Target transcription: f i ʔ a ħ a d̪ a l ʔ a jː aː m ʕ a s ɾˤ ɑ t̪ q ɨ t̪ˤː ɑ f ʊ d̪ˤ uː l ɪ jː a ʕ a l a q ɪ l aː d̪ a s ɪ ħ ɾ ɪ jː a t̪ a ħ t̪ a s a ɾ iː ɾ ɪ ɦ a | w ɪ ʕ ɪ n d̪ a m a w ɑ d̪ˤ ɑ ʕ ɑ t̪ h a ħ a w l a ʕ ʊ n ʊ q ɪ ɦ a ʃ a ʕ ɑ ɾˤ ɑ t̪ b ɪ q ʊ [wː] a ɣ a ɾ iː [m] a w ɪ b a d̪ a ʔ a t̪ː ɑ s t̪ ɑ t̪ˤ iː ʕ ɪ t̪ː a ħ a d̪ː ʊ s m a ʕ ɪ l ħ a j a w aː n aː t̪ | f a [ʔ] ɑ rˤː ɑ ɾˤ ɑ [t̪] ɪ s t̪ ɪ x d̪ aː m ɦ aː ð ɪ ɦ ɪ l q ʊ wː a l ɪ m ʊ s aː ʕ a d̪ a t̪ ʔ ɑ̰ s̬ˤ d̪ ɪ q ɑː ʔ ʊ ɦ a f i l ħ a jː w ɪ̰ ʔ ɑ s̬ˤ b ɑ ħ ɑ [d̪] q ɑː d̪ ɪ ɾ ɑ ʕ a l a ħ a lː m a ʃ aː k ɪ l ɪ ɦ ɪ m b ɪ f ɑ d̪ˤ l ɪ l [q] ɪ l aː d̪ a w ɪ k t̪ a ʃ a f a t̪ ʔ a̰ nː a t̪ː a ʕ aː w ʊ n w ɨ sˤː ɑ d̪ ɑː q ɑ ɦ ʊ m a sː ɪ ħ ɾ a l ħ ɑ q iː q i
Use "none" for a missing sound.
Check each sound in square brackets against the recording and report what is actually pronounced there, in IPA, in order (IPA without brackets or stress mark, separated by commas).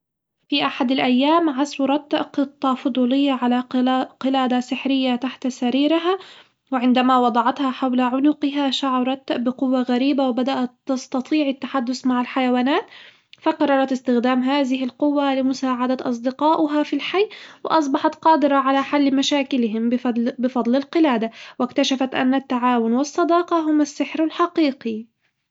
wː, b, q, t̪, t̪, q